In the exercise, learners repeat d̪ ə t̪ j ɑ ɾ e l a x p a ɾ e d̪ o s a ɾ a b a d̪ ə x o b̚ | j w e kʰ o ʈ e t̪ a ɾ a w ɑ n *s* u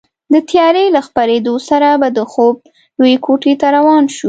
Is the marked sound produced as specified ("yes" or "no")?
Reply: no